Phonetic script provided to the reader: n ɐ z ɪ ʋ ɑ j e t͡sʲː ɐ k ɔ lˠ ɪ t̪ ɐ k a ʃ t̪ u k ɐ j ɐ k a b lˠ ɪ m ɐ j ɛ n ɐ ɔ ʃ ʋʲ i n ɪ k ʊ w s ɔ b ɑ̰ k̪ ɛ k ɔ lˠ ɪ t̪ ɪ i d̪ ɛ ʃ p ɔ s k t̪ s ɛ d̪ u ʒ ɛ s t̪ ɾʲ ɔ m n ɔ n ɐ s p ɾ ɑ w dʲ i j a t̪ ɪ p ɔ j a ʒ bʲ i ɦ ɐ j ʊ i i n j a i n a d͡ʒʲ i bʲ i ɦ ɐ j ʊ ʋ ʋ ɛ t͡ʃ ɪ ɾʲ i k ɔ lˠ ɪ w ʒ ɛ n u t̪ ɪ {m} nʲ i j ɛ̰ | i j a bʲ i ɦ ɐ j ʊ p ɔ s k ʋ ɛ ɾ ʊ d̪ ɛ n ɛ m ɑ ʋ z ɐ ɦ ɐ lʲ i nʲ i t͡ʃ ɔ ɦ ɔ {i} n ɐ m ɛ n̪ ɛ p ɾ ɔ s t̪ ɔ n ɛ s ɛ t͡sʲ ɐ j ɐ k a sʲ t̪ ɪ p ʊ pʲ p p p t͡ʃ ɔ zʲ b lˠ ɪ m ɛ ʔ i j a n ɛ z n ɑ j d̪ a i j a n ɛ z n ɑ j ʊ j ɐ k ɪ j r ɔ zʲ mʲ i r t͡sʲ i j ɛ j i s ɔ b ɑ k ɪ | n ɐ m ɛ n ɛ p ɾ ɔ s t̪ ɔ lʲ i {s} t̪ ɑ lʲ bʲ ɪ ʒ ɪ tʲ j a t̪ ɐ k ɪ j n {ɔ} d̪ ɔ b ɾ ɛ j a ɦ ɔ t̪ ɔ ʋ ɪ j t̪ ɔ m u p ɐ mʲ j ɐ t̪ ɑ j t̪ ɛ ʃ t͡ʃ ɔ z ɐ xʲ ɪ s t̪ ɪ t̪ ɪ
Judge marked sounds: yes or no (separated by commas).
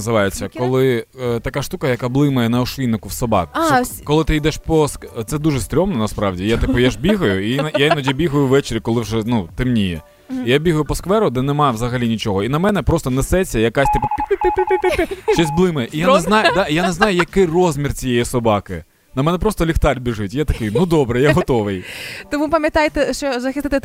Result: yes, yes, no, no